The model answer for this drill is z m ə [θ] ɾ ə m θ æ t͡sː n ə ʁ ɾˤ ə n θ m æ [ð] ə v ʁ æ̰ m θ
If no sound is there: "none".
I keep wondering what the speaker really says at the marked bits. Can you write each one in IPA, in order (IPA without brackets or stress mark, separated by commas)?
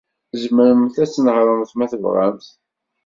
none, θ